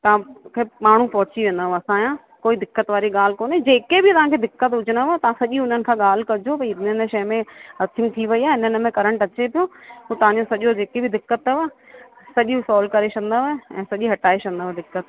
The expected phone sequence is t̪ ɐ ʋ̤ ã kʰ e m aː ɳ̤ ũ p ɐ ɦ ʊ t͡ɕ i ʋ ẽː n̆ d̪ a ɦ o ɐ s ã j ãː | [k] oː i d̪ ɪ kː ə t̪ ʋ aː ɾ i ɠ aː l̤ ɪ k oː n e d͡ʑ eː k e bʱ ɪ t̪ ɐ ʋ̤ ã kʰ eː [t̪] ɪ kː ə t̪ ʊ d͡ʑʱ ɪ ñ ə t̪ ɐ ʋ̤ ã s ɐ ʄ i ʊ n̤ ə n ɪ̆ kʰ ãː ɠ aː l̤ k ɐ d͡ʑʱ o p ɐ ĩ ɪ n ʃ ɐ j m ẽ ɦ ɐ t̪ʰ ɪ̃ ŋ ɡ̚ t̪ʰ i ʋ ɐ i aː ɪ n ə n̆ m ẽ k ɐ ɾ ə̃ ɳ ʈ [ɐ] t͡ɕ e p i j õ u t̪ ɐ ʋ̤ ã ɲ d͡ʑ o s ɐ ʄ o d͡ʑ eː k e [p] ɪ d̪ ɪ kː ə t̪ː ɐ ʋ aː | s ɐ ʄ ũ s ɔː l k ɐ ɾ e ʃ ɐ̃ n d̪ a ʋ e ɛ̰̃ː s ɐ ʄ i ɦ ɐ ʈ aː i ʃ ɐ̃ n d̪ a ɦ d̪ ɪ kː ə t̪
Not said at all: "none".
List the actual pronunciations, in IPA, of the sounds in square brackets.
k, d̪, ɐ, b

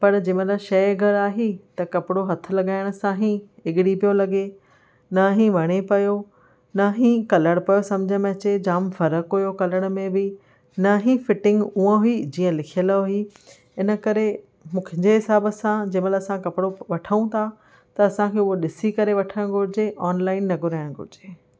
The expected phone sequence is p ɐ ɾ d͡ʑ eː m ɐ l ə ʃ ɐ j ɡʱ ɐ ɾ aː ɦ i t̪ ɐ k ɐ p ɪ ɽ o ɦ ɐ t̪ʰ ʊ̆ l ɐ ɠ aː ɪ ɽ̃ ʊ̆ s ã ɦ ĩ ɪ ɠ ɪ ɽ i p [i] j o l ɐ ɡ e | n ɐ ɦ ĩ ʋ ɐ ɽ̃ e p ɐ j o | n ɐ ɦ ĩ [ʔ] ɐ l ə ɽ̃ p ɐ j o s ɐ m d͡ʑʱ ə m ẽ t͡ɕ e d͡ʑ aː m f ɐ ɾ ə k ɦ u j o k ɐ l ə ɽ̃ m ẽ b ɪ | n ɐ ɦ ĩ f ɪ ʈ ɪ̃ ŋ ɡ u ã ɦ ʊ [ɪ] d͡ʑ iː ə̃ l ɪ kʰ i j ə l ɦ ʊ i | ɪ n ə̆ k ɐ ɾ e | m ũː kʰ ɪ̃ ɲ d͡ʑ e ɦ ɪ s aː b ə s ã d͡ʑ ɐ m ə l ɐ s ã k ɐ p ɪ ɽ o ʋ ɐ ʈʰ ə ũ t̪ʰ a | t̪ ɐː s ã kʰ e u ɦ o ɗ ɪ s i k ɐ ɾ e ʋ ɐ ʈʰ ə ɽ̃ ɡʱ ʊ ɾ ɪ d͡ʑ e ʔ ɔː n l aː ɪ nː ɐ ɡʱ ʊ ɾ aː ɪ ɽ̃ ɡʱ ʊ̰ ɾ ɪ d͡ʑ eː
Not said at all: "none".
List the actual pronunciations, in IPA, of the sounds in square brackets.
i, k, i

